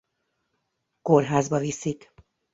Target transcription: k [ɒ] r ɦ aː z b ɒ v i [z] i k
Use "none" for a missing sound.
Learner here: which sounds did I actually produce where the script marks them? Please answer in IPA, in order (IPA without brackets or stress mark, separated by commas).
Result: o, s